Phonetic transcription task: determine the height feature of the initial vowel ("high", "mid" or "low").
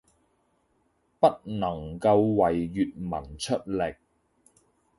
low